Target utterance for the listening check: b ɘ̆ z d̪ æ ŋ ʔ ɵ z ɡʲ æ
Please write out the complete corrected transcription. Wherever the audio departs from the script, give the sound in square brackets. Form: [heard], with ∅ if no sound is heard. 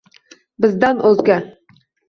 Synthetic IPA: b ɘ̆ z d̪ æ [n] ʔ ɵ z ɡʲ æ